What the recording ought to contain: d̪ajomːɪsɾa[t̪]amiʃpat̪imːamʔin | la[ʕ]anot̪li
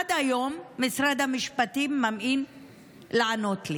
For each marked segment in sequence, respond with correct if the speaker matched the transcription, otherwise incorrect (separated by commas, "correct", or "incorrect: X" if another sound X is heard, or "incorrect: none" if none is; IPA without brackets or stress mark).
incorrect: d̪, correct